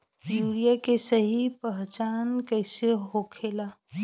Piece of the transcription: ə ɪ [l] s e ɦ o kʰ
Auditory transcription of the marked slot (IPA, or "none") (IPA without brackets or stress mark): none